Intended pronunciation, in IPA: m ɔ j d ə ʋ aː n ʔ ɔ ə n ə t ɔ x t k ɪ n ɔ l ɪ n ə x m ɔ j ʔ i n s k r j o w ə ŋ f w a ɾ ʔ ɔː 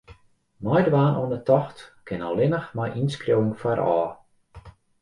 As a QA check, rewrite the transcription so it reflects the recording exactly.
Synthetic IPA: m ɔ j d ə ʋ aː n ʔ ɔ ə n ə t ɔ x t k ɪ n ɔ l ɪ n ə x m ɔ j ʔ i n s k r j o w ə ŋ f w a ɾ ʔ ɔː